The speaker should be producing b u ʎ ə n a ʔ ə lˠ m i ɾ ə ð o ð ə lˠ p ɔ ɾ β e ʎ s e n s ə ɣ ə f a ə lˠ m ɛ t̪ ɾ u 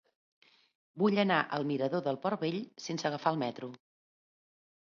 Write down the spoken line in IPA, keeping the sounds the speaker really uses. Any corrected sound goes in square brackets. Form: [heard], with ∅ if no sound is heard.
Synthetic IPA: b u ʎ ə n a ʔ ə lˠ m i ɾ ə ð o ð ə lˠ p ɔ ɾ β e ʎ s e n s ə ɣ ə f a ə lˠ m ɛ t̪ ɾ u